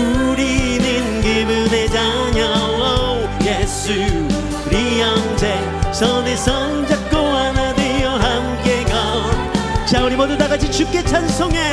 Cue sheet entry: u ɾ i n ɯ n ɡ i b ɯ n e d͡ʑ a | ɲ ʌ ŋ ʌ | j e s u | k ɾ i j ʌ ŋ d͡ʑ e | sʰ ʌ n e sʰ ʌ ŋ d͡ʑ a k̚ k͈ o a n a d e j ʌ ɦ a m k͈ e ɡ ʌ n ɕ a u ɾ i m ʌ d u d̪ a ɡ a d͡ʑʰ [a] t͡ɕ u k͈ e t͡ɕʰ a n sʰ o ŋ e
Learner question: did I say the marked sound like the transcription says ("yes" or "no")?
no